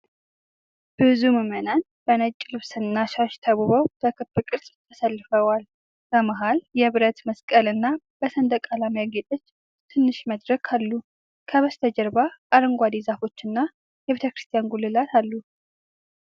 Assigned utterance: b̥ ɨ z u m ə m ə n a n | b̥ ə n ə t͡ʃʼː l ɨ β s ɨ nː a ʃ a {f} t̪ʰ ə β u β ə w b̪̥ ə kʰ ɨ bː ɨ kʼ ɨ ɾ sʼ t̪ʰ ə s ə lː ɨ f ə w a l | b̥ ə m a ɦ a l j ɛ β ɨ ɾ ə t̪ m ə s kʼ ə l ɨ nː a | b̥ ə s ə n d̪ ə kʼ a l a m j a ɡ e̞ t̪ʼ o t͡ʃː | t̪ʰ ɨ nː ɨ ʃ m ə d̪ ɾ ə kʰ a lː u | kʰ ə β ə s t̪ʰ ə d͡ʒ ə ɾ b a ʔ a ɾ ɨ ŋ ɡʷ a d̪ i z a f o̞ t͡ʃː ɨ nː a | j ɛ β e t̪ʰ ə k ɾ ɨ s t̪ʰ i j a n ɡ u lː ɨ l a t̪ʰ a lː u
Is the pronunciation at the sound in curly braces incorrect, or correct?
incorrect